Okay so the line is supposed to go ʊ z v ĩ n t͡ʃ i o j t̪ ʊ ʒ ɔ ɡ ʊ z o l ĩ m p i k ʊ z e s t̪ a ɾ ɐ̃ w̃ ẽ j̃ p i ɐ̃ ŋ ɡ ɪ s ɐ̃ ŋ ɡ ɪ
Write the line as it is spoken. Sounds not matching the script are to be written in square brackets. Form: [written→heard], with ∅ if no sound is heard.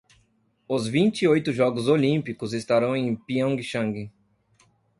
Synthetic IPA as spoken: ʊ z v ĩ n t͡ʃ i o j t̪ ʊ ʒ ɔ ɡ ʊ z o l ĩ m p i k ʊ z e s t̪ a ɾ ɐ̃ w̃ ẽ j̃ p i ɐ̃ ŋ ɡ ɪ [s→ʃ] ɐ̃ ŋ ɡ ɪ